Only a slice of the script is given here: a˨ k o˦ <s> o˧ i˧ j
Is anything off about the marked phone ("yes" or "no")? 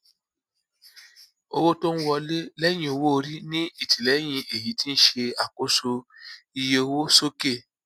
no